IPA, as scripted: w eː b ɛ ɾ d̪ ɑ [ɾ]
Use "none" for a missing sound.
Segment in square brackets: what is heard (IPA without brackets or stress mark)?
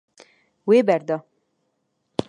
none